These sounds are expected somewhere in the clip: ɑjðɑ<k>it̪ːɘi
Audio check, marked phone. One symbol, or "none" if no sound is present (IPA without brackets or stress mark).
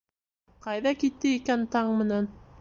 k